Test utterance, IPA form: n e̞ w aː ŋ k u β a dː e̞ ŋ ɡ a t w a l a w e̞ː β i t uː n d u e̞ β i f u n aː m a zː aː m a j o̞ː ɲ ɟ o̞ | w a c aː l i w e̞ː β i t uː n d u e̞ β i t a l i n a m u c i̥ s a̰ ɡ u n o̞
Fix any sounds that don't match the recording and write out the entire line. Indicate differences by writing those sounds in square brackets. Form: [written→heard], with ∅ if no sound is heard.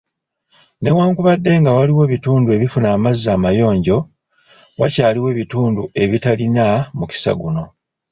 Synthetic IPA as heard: n e̞ w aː ŋ k u β a dː e̞ ŋ ɡ a [t→∅] w a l [a→i] w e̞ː β i t uː n d u e̞ β i f u n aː m a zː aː m a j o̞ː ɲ ɟ o̞ | w a c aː l i w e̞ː β i t uː n d u e̞ β i t a l i n a m u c i̥ s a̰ ɡ u n o̞